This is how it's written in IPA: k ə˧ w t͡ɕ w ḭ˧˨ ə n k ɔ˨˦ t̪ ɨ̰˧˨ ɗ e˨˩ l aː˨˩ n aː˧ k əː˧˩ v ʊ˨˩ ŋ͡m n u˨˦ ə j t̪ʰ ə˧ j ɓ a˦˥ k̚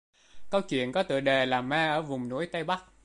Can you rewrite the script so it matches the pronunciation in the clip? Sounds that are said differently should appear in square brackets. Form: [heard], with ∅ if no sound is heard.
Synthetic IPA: k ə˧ w t͡ɕ w ḭ˧˨ ə n k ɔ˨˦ t̪ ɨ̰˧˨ ɗ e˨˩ l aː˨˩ [m] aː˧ [ʔ] əː˧˩ v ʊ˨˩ ŋ͡m n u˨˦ ə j [t̪] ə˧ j ɓ a˦˥ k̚